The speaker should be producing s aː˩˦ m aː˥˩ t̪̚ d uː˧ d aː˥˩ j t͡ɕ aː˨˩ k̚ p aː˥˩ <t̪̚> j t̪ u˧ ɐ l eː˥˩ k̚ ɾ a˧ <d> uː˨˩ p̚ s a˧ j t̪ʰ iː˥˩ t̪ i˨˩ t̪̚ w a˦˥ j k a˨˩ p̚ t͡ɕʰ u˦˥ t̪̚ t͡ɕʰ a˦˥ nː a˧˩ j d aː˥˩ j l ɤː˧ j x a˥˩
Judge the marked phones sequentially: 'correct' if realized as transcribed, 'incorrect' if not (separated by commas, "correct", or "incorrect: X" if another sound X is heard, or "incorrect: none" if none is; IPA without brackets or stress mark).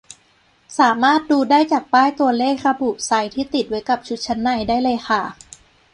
incorrect: none, incorrect: b